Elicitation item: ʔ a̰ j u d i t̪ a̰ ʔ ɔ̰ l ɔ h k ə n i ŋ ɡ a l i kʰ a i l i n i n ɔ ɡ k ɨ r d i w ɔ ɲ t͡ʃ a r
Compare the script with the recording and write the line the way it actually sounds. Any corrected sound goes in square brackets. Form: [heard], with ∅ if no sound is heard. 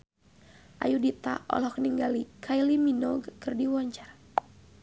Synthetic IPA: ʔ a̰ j u d i t̪ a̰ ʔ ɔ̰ l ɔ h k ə n i ŋ ɡ a l i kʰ a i l i [m] i n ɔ ɡ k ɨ r d i w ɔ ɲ t͡ʃ a r